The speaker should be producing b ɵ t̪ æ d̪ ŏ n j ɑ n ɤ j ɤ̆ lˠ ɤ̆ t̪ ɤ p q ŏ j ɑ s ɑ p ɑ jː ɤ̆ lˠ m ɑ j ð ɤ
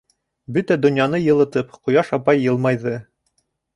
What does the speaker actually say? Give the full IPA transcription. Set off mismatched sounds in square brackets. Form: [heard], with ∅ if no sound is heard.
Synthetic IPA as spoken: b ɵ t̪ æ d̪ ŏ n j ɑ n ɤ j ɤ̆ lˠ ɤ̆ t̪ ɤ p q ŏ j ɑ [ʃ] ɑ p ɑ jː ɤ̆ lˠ m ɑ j ð ɤ